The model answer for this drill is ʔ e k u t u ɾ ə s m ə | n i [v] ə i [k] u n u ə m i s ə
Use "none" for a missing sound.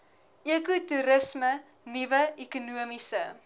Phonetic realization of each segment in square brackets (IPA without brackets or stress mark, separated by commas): v, k